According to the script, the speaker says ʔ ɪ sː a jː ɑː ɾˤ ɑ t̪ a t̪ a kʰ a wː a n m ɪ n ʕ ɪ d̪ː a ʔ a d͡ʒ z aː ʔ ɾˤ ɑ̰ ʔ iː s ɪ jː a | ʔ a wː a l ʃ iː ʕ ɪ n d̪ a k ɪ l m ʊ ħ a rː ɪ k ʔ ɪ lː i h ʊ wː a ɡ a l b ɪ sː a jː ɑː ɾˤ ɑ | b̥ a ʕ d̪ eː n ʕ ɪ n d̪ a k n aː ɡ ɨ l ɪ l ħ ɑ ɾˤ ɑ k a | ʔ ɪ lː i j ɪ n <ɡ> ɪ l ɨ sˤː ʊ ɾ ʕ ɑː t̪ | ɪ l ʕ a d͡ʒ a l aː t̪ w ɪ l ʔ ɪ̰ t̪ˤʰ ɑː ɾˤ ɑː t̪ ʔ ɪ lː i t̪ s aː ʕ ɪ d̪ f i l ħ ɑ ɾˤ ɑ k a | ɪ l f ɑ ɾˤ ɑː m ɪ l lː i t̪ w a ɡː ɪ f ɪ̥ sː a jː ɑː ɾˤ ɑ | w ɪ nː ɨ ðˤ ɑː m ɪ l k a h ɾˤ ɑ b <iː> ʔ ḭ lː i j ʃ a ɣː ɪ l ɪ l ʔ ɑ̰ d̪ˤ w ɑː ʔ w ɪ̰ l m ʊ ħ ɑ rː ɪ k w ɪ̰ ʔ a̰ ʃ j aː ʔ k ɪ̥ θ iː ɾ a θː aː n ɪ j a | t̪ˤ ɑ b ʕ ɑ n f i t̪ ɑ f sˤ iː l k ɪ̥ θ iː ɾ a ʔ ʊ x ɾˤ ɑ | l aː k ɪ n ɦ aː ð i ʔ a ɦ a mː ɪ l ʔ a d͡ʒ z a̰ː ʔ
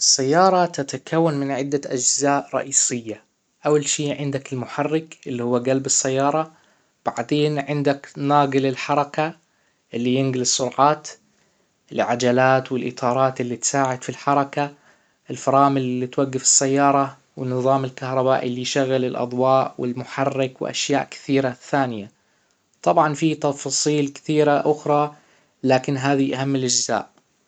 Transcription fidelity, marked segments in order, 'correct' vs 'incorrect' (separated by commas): correct, incorrect